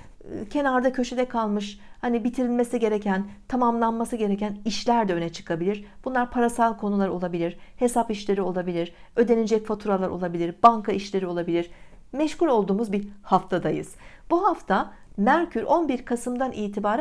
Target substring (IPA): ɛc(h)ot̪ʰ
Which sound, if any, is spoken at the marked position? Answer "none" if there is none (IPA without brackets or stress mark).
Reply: f